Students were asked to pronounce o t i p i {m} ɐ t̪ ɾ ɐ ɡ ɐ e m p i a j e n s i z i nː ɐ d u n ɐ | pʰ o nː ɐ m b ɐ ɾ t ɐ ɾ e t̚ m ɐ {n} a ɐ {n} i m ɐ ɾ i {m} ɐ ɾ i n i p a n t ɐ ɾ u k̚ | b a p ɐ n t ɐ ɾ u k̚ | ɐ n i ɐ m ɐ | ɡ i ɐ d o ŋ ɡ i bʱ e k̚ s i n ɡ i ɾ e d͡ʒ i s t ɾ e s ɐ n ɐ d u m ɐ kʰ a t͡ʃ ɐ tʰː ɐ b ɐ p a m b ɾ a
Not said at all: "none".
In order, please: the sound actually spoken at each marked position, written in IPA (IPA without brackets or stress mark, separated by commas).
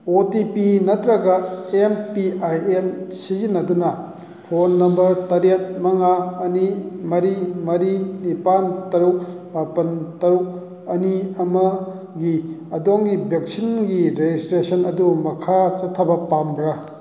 n, ŋ, n, m